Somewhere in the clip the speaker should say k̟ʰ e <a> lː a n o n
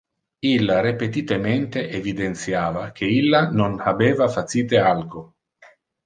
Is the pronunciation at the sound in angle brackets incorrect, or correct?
incorrect